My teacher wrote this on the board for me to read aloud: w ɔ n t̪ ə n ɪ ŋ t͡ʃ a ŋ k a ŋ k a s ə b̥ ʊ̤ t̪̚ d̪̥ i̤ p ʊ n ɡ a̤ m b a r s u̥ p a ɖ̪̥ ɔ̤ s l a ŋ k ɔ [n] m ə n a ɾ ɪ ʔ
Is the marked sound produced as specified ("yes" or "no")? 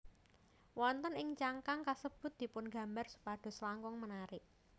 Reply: no